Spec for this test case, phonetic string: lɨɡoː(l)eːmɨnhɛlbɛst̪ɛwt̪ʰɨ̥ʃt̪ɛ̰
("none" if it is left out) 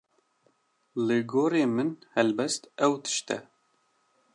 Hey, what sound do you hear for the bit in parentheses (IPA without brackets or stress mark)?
ɾ